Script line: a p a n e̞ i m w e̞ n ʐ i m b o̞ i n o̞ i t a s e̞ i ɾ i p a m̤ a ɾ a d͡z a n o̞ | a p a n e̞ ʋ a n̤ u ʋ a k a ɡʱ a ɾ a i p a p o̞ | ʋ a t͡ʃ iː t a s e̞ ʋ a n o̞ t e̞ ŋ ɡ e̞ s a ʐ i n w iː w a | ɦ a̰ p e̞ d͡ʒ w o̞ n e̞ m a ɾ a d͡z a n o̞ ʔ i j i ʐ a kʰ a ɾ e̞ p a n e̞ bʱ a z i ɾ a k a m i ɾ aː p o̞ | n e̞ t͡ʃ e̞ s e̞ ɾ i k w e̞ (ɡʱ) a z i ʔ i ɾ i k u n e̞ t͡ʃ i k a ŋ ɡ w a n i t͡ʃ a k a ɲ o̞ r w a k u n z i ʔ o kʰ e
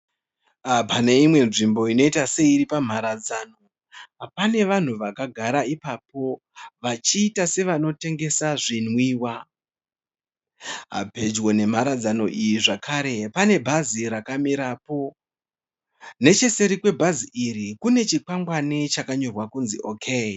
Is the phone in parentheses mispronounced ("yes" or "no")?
yes